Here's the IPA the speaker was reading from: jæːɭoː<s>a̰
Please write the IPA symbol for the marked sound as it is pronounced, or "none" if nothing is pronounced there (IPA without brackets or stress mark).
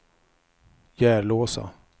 s